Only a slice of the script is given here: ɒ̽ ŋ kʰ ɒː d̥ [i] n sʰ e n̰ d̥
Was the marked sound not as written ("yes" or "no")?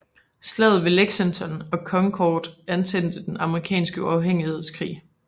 yes